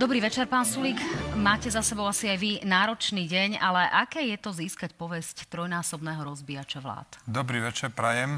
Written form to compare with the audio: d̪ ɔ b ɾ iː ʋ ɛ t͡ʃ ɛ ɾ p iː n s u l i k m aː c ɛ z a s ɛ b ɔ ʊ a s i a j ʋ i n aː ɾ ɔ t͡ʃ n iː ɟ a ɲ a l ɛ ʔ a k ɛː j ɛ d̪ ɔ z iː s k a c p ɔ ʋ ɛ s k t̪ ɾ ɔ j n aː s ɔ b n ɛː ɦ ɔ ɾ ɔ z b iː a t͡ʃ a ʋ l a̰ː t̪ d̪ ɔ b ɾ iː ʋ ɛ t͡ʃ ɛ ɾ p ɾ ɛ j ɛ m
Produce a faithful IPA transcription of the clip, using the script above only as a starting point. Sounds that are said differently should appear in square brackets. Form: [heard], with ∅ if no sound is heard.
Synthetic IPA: d̪ ɔ b ɾ iː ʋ ɛ t͡ʃ ɛ ɾ p [aː] n s u l i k m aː c ɛ z a s ɛ b ɔ ʊ a s i a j ʋ i n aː ɾ ɔ t͡ʃ n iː ɟ [ɛ] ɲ a l ɛ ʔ a k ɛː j ɛ [t̪] ɔ z iː s k a c p ɔ ʋ ɛ s [c] t̪ ɾ ɔ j n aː s ɔ b n ɛː ɦ ɔ ɾ ɔ z b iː a t͡ʃ a ʋ l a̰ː t̪ d̪ ɔ b ɾ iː ʋ ɛ t͡ʃ ɛ ɾ p ɾ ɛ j ɛ m